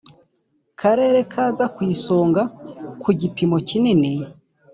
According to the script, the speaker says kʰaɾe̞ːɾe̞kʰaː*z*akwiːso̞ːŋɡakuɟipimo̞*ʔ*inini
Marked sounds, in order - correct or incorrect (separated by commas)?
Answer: correct, incorrect